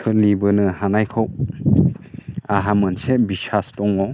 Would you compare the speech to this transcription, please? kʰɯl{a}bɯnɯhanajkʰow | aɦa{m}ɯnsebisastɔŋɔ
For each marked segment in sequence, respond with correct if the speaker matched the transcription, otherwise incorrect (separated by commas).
incorrect, correct